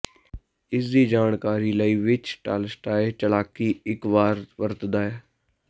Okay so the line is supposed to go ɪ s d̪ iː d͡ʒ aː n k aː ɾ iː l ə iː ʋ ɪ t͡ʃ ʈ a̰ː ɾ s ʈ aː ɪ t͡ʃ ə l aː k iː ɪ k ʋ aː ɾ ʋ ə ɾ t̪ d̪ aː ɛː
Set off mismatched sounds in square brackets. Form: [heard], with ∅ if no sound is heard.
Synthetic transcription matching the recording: ɪ s d̪ iː d͡ʒ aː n k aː ɾ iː l ə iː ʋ ɪ t͡ʃ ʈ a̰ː [l] s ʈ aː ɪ t͡ʃ ə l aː k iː ɪ k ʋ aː ɾ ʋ ə ɾ t̪ d̪ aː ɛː